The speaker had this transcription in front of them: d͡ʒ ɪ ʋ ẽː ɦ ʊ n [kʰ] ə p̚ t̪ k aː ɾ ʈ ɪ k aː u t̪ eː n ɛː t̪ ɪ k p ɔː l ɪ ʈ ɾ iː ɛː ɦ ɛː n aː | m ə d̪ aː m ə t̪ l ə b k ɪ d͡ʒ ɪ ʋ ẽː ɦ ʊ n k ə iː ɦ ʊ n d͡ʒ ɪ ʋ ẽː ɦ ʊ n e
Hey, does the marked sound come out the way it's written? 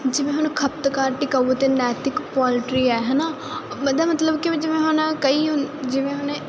yes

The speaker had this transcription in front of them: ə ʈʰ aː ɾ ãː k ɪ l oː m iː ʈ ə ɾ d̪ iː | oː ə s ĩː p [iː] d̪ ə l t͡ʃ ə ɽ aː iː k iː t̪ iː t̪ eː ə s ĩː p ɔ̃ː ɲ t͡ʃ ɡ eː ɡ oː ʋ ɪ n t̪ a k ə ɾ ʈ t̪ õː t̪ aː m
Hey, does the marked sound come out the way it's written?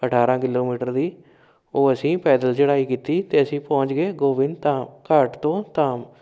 no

